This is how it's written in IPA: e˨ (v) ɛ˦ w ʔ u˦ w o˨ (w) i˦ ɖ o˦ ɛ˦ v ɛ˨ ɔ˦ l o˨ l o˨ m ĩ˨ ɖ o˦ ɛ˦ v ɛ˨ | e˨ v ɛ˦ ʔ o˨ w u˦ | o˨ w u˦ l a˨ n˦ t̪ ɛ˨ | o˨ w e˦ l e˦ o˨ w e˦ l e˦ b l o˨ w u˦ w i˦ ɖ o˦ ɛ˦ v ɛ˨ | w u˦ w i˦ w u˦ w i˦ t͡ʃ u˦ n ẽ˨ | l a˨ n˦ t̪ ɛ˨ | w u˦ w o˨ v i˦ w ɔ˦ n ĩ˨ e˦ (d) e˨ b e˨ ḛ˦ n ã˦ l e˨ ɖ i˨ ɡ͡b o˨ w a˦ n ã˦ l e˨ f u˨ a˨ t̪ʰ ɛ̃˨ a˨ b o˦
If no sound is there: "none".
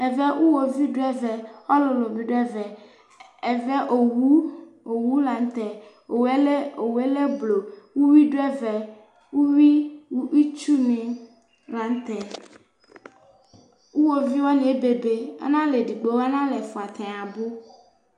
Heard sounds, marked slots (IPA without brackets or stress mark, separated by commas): v, v, b